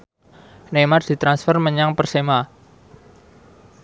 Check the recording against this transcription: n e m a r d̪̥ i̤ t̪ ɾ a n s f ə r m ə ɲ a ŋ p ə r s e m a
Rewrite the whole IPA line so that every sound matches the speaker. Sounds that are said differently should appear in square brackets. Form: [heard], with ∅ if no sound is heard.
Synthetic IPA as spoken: n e m a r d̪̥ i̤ t̪ ɾ a n s f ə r m ə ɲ a ŋ p ə r s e m a